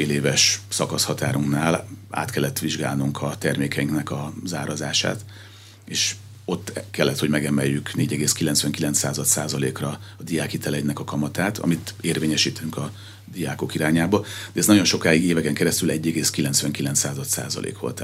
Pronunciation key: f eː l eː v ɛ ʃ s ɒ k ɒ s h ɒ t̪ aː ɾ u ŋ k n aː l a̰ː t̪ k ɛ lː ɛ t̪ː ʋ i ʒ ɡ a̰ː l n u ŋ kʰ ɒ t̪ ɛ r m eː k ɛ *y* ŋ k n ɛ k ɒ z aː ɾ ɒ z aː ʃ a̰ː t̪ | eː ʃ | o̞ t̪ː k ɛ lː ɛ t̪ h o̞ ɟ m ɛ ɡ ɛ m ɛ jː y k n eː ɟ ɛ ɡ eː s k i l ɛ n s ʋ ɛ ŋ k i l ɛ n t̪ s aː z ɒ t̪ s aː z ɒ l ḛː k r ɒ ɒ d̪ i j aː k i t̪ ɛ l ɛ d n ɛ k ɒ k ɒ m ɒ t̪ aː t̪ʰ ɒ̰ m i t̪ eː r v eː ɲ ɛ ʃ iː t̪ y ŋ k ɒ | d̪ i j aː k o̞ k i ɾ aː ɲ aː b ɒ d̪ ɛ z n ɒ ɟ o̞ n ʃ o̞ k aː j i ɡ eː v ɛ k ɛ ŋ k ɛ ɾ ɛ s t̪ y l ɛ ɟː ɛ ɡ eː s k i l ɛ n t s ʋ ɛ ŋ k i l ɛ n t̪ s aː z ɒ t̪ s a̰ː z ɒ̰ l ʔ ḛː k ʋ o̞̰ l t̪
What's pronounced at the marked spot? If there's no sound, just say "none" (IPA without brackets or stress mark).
i